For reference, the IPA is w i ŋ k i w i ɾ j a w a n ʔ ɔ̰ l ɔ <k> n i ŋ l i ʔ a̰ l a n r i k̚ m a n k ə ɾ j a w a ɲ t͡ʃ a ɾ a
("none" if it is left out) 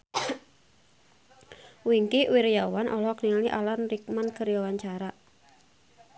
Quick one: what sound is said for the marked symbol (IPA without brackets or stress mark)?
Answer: k